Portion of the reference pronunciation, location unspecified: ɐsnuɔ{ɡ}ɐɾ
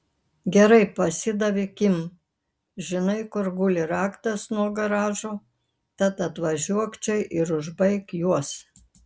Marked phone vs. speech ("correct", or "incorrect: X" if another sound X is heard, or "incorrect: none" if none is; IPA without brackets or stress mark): correct